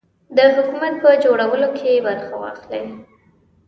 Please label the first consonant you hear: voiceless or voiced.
voiced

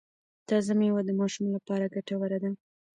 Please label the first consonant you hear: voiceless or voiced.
voiceless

